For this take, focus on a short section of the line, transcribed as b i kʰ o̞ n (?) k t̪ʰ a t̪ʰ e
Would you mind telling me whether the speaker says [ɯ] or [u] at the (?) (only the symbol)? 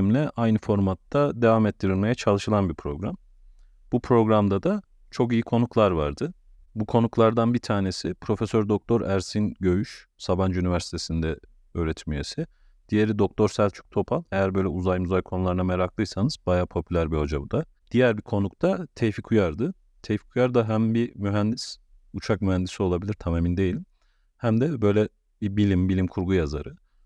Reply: u